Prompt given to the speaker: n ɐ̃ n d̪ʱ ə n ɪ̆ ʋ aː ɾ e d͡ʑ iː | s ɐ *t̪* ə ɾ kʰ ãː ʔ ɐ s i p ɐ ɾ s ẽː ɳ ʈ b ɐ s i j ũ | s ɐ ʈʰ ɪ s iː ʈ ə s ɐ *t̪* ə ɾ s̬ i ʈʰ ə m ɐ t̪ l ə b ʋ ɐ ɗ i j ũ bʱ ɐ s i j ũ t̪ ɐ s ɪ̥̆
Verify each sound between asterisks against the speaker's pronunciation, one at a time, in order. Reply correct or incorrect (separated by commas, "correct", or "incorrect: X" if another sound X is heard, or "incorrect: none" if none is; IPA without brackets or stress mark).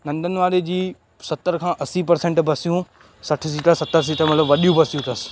correct, correct